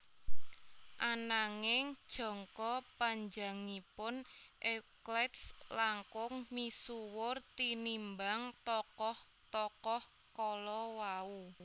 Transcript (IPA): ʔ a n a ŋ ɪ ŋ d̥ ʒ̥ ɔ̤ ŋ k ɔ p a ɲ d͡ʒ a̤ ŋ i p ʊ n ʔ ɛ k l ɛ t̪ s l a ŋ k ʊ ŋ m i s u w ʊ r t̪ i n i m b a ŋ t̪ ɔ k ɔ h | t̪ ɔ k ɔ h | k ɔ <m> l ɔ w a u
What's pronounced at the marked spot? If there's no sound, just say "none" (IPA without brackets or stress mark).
none